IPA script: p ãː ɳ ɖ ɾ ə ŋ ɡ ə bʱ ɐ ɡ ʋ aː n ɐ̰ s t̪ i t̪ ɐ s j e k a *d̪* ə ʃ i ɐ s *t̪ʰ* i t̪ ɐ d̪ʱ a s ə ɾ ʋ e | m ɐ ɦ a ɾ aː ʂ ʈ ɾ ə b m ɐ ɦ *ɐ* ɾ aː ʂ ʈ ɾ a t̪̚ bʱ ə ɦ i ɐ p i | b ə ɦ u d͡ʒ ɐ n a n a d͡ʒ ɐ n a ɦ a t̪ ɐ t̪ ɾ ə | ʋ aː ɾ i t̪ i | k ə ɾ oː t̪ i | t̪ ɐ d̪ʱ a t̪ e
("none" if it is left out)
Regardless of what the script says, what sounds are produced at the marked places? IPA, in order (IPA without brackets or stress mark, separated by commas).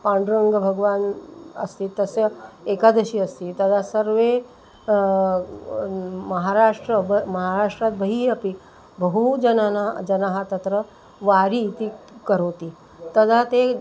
d̪, t̪, a